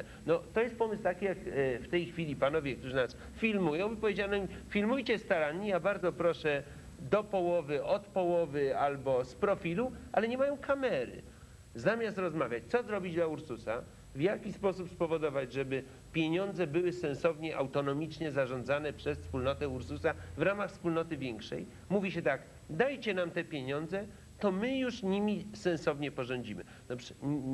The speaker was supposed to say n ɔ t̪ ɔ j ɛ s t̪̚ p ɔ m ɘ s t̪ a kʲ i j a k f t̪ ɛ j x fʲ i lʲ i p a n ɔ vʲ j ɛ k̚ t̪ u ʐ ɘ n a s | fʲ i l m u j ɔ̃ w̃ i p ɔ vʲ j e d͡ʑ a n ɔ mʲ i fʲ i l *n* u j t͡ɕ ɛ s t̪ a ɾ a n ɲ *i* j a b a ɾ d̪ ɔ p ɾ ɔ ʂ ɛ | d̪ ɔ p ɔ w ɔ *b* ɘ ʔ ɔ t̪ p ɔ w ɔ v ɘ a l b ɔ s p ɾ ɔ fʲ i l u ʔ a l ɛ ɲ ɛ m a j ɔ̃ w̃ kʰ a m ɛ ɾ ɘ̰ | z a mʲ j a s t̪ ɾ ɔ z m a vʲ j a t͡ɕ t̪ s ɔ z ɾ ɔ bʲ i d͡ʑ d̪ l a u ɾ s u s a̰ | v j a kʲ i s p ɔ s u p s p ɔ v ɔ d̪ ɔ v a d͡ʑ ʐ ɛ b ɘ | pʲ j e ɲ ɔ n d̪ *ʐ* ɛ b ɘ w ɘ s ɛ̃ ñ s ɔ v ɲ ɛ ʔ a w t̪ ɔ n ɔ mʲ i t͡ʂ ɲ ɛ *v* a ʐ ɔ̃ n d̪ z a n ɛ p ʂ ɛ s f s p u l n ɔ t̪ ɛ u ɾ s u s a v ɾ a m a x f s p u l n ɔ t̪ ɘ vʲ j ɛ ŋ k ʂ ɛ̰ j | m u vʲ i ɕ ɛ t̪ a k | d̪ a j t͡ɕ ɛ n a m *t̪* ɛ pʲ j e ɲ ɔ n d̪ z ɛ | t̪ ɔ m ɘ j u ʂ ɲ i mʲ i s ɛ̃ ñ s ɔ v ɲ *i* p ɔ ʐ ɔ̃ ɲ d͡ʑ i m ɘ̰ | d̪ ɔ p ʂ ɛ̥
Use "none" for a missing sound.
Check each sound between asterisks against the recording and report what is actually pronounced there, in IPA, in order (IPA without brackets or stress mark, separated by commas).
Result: m, i, v, z, z, t̪, ɛ